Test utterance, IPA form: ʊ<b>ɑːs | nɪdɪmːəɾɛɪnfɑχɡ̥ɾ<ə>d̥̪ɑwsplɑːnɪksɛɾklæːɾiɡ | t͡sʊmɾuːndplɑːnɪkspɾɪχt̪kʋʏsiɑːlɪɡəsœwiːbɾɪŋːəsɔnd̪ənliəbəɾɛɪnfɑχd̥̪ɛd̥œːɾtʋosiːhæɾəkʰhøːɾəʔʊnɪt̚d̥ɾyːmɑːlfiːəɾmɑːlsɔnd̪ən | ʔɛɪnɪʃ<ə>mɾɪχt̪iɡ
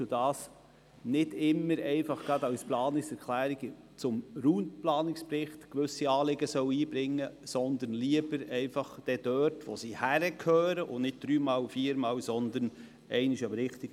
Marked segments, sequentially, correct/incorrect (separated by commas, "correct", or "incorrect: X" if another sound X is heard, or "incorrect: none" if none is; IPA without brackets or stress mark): incorrect: d, incorrect: ɑ, incorrect: ɑ